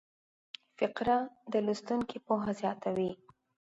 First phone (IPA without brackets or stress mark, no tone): f